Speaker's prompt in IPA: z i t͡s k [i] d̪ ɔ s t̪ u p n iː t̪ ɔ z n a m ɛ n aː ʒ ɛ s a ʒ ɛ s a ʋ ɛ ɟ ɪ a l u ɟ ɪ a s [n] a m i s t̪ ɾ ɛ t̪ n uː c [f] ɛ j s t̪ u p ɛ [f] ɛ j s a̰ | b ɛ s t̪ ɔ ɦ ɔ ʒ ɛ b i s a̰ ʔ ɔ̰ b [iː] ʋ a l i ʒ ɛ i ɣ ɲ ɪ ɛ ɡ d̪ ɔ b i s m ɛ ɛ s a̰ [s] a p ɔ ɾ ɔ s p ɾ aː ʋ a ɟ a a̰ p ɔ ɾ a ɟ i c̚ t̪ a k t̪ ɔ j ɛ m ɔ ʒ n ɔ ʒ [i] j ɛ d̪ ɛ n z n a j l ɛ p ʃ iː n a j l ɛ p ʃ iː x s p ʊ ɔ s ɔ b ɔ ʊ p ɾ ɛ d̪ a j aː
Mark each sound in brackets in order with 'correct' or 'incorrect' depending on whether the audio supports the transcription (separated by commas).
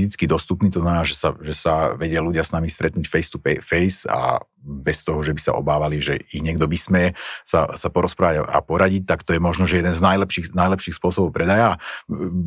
correct, correct, correct, correct, incorrect, correct, incorrect